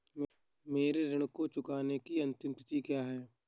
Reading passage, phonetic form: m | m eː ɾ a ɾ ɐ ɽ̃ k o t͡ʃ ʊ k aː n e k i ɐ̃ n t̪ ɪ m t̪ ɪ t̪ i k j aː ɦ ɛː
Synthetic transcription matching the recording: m | m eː ɾ e ɾ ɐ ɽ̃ k o t͡ʃ ʊ k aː n e k i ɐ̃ n t̪ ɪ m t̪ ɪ t̪ i k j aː ɦ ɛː